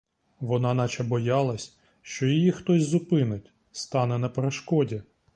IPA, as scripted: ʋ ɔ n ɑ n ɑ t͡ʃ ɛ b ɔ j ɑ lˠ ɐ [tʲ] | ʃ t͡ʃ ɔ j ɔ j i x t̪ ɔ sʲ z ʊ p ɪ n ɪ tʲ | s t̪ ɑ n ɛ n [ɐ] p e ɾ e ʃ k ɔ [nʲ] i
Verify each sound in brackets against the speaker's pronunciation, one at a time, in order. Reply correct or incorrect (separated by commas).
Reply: incorrect, correct, incorrect